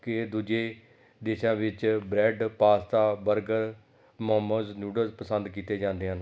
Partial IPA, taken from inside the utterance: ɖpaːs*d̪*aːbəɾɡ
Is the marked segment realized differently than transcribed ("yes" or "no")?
yes